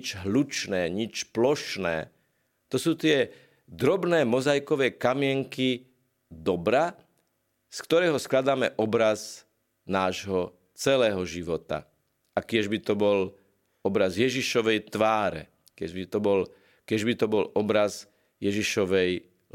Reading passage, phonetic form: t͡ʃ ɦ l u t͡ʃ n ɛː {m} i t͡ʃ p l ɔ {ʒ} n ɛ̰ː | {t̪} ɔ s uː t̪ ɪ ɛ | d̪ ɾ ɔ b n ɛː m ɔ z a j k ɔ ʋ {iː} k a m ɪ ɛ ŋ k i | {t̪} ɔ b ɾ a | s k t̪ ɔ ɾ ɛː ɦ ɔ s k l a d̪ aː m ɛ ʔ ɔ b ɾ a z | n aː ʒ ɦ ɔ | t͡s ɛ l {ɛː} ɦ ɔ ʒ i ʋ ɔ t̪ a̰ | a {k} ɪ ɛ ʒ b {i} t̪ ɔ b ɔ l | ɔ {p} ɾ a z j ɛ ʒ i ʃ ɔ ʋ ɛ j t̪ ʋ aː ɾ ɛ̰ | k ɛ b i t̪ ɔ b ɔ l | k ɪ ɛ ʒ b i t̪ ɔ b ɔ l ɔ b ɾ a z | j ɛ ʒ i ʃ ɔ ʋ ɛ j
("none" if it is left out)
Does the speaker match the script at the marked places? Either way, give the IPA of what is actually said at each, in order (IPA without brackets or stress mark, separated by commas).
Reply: ɲ, ʃ, t̪, ɛː, d̪, ɛː, k, i, b